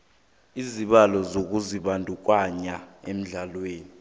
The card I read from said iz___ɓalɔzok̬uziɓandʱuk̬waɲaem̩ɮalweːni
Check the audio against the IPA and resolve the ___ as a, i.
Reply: i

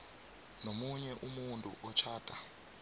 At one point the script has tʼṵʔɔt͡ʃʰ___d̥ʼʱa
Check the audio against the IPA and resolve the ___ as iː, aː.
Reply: aː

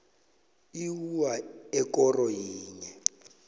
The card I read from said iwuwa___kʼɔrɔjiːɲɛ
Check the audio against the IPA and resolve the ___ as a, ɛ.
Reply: ɛ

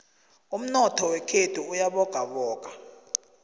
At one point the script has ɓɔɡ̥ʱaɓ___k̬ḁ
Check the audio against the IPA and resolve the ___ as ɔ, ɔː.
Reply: ɔː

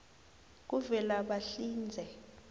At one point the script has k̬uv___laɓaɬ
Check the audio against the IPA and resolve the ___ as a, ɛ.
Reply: ɛ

